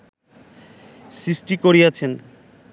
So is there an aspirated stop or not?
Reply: yes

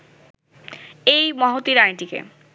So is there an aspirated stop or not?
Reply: no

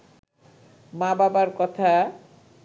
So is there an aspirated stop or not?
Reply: yes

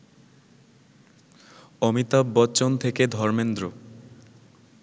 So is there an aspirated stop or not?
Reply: yes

